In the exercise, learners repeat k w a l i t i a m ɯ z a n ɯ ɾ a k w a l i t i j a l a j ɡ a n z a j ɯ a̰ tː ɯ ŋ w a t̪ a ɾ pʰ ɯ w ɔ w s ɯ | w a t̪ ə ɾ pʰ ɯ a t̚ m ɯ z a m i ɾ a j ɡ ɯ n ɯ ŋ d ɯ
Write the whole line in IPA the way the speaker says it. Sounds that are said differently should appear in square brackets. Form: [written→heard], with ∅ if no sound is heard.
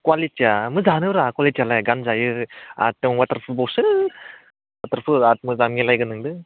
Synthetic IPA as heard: k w a l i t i a m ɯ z a n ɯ ɾ a k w a l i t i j a l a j ɡ a n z a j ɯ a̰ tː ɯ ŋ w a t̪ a ɾ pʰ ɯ [w→b] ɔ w s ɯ | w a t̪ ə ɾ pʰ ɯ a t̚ m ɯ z a m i [ɾ→l] a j ɡ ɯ n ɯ ŋ d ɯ